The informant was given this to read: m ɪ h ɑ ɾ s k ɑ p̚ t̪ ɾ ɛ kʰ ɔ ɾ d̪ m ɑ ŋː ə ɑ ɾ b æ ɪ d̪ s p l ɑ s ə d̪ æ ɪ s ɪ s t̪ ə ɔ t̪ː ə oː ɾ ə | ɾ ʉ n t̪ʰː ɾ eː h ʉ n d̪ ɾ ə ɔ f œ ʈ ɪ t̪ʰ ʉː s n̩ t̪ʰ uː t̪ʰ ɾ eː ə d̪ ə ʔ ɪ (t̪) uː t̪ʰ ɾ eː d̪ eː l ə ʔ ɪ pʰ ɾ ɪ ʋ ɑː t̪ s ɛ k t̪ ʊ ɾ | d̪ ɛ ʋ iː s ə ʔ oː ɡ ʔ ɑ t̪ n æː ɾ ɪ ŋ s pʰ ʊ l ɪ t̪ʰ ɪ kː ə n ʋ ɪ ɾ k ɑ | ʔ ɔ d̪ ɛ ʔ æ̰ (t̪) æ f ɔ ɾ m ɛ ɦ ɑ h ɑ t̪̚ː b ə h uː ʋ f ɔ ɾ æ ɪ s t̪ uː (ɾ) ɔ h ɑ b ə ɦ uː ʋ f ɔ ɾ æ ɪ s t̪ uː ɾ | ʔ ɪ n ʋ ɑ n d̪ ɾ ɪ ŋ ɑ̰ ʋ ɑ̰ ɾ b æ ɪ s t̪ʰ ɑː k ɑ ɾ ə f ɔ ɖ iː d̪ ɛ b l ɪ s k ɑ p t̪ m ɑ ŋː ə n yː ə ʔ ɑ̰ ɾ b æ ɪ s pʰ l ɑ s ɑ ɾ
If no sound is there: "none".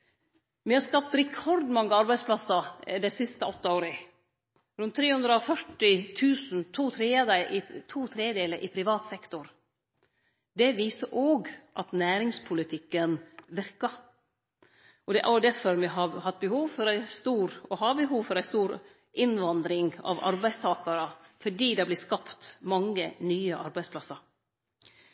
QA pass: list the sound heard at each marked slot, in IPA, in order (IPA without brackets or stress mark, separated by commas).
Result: t̪ʰ, d̪, ɾ